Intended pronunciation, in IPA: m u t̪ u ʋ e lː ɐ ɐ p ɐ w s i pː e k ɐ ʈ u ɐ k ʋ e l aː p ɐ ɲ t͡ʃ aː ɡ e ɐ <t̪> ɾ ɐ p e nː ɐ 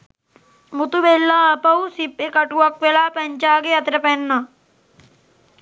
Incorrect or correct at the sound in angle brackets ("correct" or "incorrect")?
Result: correct